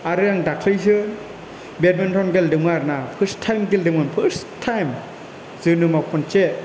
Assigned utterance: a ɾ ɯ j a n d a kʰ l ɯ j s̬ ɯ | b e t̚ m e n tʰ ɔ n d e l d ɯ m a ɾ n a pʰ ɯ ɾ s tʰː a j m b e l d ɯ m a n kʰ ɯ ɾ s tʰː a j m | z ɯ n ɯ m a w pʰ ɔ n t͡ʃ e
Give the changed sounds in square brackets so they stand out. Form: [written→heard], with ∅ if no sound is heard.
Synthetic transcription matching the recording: a ɾ ɯ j a [n→ŋ] d a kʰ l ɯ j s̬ ɯ | b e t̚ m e n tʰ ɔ n [d→ɡ] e l d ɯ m a ɾ n a pʰ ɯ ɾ s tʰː a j m [b→ɡ] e l d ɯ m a n [kʰ→pʰ] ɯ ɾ s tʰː a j m | z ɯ n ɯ m a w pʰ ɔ n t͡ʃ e